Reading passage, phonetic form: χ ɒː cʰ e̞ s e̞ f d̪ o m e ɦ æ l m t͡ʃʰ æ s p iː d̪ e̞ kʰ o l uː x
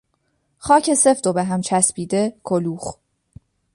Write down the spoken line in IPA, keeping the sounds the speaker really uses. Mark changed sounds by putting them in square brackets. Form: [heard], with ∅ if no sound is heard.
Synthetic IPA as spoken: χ ɒː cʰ e̞ s e̞ f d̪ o [b] e ɦ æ [∅] m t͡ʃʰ æ s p iː d̪ e̞ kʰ o l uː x